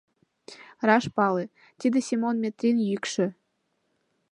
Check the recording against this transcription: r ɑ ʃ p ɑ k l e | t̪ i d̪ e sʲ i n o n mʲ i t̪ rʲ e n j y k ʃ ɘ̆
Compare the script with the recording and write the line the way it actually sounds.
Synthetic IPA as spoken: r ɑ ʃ p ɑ l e | t̪ i d̪ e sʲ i m o n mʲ e t̪ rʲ i n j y k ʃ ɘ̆